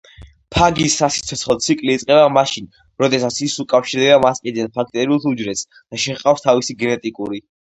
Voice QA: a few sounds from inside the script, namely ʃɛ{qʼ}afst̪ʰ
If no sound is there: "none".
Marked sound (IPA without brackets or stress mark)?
qʼ